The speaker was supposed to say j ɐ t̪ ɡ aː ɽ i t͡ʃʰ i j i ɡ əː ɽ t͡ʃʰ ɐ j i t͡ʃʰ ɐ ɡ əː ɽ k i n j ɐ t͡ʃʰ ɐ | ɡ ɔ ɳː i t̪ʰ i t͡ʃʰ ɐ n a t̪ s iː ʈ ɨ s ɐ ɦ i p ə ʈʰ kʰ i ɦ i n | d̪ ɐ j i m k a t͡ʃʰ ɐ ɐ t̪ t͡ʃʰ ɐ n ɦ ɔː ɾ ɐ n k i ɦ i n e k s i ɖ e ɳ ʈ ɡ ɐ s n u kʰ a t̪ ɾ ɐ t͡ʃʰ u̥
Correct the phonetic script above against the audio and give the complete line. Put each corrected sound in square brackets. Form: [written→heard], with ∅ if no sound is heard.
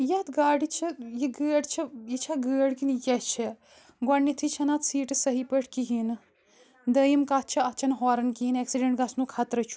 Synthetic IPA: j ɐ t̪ ɡ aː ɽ i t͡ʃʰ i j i ɡ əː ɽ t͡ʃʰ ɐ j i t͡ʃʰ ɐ ɡ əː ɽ k i n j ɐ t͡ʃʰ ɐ | ɡ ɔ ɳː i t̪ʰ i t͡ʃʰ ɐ n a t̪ s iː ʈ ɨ s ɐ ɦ i p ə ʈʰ [kʰ→k] i ɦ i n | d̪ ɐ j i m k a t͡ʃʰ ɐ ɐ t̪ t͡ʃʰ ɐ n ɦ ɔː ɾ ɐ n k i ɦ i n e k s i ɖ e ɳ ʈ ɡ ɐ s n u kʰ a t̪ ɾ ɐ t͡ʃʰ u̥

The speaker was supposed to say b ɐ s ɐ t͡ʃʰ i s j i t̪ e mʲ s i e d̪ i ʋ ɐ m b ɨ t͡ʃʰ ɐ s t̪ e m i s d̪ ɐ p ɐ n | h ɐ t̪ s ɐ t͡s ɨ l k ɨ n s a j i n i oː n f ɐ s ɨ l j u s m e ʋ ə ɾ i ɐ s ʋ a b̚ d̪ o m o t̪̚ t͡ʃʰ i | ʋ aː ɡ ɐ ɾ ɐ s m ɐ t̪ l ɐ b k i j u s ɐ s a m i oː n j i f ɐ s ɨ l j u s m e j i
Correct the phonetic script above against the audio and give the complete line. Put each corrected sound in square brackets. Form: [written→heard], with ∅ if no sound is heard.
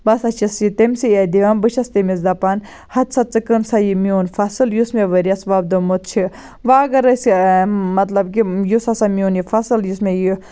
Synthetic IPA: b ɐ s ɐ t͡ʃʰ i s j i t̪ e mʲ s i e d̪ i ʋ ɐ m b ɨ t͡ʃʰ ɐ s t̪ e m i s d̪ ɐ p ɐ n | h ɐ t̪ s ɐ t͡s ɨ [l→∅] k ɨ n s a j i [n→m] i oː n f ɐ s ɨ l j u s m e ʋ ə ɾ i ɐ s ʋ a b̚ d̪ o m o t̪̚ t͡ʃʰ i | ʋ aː ɡ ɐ ɾ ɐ s m ɐ t̪ l ɐ b k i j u s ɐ s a m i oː n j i f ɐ s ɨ l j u s m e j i

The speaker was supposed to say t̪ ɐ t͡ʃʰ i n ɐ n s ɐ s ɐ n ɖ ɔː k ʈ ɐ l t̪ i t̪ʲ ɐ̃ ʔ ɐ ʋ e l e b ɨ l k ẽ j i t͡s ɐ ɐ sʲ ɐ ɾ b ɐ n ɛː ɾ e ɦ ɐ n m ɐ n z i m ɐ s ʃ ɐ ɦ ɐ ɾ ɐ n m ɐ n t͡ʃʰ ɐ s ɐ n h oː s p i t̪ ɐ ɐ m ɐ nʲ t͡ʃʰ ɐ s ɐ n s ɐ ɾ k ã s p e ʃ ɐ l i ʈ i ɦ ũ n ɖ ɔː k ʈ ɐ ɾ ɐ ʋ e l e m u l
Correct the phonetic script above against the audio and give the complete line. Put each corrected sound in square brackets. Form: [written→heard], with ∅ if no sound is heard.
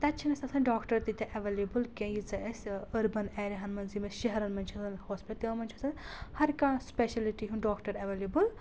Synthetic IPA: t̪ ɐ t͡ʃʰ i n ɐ [n→∅] s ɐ s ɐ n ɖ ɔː k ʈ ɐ [l→ɾ] t̪ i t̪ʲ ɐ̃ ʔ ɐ ʋ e l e b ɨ l k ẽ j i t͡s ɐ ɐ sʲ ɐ ɾ b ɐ n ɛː ɾ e ɦ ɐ n m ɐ n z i m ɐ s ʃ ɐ ɦ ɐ ɾ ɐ n m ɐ n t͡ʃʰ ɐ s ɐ n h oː s p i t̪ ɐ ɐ m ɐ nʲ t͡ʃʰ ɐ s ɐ n [s→h] ɐ ɾ k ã s p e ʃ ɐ l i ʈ i ɦ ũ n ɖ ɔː k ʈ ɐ ɾ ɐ ʋ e l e [m→b] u l

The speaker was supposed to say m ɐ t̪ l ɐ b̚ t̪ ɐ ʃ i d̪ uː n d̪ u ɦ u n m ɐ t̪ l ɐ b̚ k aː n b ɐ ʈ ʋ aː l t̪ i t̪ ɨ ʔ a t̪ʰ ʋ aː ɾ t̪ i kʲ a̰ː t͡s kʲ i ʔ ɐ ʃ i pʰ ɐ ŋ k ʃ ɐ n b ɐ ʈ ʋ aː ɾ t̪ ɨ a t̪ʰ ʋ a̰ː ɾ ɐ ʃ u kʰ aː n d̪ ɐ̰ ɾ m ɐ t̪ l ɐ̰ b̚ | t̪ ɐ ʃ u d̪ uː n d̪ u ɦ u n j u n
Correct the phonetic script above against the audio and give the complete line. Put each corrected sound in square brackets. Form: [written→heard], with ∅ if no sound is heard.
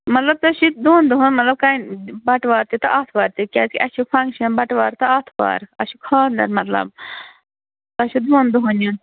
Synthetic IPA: m ɐ t̪ l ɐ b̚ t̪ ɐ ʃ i d̪ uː n d̪ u ɦ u n m ɐ t̪ l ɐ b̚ k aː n b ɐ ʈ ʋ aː [l→ɾ] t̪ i t̪ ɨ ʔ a t̪ʰ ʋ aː ɾ t̪ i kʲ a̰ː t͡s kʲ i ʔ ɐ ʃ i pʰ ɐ ŋ k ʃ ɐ n b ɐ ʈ ʋ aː ɾ t̪ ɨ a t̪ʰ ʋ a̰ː ɾ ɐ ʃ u kʰ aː n d̪ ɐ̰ ɾ m ɐ t̪ l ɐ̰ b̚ | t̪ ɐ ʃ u d̪ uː n d̪ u ɦ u n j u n

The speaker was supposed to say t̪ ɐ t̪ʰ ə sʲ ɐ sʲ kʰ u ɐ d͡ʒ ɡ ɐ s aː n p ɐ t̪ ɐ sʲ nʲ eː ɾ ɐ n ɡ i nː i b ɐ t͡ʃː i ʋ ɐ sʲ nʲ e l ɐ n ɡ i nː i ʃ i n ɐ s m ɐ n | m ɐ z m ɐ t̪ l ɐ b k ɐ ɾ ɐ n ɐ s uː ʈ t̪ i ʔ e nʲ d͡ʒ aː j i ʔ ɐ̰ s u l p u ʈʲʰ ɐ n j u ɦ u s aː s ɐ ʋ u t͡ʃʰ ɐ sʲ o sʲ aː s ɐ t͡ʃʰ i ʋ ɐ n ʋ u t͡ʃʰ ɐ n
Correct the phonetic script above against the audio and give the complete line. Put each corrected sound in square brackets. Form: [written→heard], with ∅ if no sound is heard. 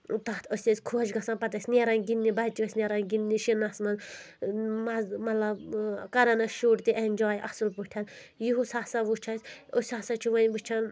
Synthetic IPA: t̪ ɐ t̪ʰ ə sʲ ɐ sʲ kʰ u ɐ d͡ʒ ɡ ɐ s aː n p ɐ t̪ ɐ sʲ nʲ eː ɾ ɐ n ɡ i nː i b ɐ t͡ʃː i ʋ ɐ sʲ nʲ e [l→ɾ] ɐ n ɡ i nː i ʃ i n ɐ s m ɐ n | m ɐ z m ɐ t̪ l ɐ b k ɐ ɾ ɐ n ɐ [s→ʃ] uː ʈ t̪ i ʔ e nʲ d͡ʒ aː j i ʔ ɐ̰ s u l p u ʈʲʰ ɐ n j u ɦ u s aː s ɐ ʋ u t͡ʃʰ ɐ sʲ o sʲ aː s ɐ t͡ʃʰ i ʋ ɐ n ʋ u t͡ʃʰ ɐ n

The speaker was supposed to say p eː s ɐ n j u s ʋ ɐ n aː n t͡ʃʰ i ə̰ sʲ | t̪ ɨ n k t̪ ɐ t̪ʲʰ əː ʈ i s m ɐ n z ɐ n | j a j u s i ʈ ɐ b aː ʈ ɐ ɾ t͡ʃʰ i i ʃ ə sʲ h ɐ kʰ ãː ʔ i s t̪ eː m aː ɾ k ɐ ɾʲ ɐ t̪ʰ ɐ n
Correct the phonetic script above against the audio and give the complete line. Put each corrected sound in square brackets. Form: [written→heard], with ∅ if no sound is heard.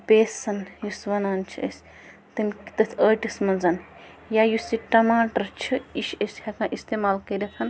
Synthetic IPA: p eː s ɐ n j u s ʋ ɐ n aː n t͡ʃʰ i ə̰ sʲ | t̪ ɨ n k t̪ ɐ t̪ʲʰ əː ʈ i s m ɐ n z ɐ n | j a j u s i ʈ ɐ [b→m] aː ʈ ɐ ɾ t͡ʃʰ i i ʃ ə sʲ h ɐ [kʰ→k] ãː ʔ i s t̪ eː m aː [ɾ→l] k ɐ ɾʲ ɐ t̪ʰ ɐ n

